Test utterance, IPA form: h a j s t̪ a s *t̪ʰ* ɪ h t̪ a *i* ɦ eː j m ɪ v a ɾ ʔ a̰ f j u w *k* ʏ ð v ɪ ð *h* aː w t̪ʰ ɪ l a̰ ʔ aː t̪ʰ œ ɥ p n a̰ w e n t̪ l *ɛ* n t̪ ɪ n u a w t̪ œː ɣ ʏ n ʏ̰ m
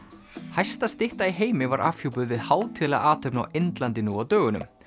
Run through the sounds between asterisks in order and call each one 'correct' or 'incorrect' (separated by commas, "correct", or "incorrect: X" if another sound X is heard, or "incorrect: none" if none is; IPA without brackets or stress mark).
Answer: incorrect: t̪, correct, incorrect: p, correct, incorrect: a